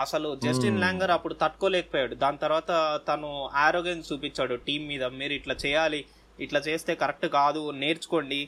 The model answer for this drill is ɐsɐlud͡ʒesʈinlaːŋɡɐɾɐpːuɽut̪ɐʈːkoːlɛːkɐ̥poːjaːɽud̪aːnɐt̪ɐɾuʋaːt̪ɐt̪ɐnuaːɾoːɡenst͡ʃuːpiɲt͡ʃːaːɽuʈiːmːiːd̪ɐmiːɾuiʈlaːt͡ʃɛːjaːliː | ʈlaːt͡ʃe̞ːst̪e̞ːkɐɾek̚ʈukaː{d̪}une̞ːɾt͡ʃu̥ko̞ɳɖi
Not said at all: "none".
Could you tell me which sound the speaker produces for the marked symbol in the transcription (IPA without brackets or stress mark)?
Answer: d̪